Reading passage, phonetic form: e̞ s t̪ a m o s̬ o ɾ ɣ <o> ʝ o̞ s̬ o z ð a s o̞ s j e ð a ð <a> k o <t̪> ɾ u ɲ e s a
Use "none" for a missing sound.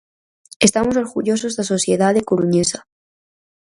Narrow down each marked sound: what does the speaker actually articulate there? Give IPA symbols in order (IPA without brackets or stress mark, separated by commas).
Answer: u, e, none